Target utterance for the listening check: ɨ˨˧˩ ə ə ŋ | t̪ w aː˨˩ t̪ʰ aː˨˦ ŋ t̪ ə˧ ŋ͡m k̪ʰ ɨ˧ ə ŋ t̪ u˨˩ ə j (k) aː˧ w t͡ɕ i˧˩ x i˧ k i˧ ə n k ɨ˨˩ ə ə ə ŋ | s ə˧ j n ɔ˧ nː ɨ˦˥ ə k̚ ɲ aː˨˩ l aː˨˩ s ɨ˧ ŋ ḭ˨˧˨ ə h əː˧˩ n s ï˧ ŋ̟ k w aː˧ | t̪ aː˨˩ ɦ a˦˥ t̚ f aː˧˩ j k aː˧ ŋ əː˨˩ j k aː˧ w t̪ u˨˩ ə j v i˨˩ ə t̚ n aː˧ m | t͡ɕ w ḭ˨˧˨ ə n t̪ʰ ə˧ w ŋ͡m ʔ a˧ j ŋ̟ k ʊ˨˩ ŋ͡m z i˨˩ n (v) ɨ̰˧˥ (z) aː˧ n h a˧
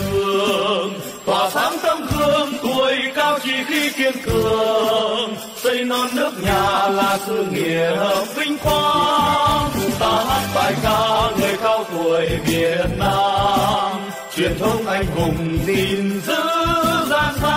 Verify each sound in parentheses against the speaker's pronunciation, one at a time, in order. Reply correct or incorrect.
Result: correct, incorrect: z, correct

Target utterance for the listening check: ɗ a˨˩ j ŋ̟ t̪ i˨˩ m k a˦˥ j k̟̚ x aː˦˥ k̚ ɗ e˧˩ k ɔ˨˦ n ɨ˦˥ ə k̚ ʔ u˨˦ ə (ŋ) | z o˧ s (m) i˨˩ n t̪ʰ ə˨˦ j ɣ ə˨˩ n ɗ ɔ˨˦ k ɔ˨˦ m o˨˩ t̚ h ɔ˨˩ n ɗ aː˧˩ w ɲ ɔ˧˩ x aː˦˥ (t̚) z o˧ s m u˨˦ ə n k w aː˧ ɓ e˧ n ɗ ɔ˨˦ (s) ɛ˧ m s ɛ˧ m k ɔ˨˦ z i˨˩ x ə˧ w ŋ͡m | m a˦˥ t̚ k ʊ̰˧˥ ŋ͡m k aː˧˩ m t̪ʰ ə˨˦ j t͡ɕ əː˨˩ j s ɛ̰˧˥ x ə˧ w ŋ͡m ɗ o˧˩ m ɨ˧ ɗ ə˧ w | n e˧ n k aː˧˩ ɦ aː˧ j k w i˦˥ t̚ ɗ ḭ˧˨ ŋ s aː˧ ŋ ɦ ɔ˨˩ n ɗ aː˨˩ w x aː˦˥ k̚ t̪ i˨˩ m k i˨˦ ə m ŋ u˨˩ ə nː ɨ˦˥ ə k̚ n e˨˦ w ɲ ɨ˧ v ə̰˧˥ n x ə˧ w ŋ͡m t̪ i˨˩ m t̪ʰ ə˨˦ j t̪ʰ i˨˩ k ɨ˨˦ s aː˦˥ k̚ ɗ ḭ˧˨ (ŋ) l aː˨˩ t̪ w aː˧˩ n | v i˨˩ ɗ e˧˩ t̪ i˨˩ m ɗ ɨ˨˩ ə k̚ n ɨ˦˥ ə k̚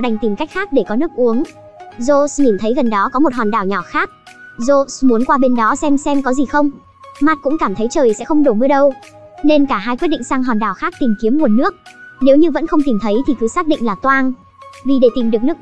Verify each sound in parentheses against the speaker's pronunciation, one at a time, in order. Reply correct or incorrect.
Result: correct, incorrect: ɲ, incorrect: k̚, correct, correct

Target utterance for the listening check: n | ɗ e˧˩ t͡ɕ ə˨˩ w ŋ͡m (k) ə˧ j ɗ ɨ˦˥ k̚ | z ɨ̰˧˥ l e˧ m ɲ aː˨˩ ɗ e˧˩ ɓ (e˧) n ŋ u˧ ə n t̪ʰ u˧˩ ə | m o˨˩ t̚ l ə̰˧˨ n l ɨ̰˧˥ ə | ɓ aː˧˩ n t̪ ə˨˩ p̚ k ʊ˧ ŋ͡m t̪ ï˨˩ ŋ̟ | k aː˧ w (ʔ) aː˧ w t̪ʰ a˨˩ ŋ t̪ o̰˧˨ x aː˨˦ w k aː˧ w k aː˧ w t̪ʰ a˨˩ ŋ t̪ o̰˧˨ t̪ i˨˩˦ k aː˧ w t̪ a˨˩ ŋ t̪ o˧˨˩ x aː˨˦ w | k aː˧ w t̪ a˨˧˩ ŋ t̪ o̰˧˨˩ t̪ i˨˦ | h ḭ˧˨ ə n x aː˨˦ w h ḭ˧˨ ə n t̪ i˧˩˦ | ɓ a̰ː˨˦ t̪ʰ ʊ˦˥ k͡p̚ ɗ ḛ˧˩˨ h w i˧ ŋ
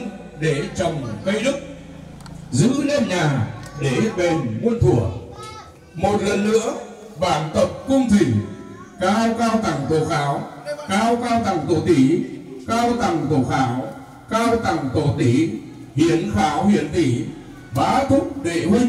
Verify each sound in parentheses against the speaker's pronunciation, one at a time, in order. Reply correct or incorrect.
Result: correct, incorrect: e˨˩, incorrect: k

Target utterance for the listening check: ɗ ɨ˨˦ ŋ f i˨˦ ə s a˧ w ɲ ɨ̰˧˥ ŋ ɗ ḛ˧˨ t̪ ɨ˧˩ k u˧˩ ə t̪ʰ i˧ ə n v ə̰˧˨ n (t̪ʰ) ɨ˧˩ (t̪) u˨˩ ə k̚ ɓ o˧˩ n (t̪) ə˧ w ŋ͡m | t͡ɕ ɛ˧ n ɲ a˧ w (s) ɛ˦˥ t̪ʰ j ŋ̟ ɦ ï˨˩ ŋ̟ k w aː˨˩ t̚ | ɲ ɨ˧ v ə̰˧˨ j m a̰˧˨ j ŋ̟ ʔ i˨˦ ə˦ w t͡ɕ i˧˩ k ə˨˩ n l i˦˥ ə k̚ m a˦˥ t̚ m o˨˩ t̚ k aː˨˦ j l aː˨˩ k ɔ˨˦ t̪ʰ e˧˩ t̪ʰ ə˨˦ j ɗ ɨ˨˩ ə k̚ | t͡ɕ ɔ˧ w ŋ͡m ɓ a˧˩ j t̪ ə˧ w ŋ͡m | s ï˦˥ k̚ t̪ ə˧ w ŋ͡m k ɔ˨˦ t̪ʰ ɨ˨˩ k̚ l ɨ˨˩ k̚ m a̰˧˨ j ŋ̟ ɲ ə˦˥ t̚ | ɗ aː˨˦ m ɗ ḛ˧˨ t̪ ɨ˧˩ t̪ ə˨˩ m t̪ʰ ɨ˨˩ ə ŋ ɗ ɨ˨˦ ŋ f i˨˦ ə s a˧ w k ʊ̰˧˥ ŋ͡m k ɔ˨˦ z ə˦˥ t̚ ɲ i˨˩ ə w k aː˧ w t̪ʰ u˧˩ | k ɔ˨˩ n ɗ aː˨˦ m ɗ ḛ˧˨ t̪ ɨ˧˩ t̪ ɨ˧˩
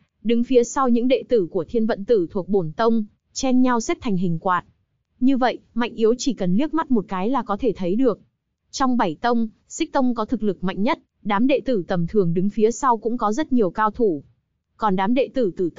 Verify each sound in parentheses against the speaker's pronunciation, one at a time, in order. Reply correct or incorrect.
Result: incorrect: t̪, incorrect: t̪ʰ, correct, correct

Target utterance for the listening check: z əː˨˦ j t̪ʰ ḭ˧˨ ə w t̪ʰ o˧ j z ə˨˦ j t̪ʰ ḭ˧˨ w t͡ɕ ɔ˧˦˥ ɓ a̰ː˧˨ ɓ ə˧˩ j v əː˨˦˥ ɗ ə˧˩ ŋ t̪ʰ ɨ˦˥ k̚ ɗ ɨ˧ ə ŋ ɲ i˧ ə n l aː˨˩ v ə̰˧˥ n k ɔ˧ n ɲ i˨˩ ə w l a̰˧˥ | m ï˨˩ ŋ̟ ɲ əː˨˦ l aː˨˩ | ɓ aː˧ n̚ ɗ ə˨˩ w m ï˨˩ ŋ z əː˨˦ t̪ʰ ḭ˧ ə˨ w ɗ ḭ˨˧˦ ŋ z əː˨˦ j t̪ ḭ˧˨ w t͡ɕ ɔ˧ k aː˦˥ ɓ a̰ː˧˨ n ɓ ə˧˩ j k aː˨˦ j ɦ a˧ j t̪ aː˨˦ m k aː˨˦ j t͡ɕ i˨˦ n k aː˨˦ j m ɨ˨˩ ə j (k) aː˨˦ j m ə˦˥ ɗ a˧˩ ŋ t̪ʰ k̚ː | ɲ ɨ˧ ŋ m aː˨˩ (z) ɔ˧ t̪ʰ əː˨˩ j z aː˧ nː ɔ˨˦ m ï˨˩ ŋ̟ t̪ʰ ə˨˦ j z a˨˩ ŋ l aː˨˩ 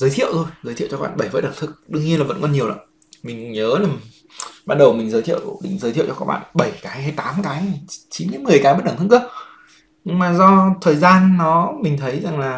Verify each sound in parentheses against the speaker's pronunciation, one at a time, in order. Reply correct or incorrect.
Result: correct, correct

